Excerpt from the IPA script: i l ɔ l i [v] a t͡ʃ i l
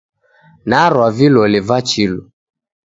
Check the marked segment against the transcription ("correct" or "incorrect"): correct